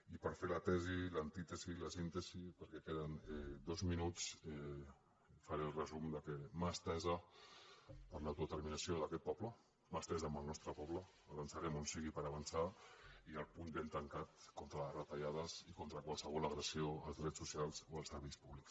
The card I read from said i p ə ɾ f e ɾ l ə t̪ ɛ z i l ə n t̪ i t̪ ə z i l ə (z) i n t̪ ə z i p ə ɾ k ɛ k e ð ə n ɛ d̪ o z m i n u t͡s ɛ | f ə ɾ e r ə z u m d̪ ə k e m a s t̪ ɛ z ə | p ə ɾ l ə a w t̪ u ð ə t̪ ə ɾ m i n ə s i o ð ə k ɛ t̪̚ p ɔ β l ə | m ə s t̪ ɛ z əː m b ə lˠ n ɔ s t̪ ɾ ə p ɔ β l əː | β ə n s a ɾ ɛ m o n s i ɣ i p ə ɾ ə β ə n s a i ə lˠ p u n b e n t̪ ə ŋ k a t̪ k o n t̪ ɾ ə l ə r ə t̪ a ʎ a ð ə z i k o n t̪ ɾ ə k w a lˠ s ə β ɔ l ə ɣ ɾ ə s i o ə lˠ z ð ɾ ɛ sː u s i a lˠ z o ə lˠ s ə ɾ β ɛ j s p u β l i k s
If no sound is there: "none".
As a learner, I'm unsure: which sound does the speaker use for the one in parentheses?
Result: s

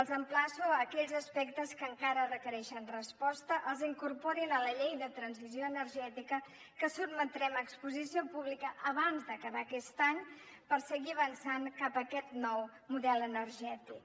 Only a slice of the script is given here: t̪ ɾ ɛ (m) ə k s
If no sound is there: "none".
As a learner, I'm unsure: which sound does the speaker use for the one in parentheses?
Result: m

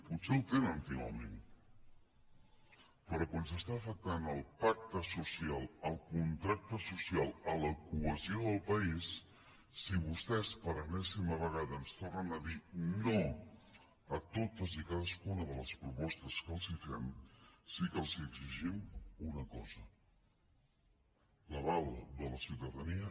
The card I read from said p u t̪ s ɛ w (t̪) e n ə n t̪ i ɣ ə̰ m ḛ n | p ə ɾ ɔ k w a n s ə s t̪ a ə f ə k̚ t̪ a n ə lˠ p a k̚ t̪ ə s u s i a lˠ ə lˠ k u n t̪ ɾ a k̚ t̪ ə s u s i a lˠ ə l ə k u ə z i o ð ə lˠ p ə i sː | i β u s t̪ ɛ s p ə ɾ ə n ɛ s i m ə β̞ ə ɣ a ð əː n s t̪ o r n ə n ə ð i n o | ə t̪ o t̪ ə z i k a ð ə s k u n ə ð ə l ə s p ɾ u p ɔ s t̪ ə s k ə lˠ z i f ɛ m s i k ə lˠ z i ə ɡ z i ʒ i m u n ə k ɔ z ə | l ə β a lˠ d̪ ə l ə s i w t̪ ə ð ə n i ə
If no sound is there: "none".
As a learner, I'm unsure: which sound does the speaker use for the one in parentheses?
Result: t̪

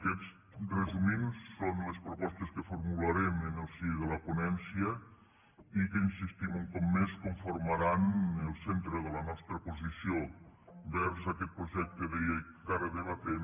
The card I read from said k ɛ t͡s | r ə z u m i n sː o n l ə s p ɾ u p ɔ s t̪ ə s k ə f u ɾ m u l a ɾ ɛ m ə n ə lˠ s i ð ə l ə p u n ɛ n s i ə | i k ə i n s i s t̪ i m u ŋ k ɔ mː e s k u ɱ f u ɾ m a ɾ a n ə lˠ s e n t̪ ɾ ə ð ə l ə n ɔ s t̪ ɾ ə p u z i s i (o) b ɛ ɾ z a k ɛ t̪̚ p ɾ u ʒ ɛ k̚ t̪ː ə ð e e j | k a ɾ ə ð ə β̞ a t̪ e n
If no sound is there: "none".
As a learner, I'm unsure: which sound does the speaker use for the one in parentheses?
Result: o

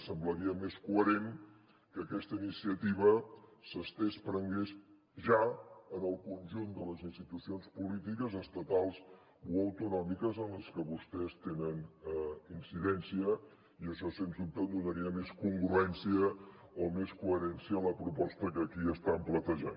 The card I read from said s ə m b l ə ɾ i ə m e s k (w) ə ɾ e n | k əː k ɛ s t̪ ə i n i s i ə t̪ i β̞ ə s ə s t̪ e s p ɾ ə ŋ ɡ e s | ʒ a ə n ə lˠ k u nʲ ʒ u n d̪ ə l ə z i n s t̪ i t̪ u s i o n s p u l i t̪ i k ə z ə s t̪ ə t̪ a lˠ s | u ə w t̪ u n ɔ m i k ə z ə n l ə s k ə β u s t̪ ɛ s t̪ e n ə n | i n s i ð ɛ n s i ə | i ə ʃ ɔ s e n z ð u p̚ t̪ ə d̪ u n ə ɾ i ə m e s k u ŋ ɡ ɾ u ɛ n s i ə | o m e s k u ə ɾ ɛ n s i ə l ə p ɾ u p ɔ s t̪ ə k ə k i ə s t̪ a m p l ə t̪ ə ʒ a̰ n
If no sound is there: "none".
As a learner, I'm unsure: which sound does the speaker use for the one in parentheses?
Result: u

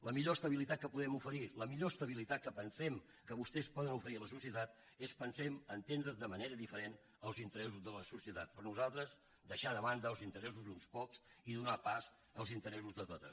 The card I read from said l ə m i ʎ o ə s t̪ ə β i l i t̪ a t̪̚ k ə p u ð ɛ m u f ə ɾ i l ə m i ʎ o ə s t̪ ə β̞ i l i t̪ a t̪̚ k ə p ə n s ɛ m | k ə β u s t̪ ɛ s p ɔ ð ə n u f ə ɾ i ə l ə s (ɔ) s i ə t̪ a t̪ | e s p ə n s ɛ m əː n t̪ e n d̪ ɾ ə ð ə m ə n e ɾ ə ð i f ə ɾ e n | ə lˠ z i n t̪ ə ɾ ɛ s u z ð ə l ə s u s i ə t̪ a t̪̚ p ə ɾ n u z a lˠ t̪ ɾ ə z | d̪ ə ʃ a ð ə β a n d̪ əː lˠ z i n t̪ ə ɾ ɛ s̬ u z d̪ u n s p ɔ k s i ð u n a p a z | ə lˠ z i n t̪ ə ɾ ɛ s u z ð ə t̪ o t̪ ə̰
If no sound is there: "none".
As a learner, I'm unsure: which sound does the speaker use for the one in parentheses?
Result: u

